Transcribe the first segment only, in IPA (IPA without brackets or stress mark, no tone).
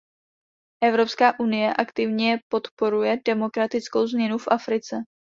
ʔ